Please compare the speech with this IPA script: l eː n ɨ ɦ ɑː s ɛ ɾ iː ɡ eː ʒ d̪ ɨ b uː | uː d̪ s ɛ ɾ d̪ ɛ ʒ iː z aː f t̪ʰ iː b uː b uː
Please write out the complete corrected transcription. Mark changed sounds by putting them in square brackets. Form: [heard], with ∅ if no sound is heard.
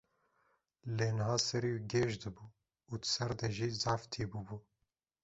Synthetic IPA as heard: l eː n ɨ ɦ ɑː s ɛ ɾ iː ɡ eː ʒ d̪ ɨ b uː | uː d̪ s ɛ ɾ d̪ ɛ ʒ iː z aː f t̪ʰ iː b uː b uː

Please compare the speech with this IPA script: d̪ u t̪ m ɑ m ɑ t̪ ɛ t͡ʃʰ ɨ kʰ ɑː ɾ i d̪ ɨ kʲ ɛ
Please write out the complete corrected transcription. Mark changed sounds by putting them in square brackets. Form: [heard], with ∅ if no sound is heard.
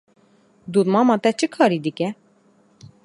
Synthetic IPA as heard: d̪ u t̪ m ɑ m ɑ t̪ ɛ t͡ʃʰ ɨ kʰ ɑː ɾ i d̪ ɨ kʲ ɛ

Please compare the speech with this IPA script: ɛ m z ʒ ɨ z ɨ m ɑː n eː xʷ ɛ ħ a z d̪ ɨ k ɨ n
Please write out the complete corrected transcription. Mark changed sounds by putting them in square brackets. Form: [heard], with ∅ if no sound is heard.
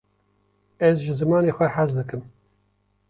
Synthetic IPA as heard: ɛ [∅] z ʒ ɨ z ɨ m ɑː n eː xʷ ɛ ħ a z d̪ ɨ k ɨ [m]

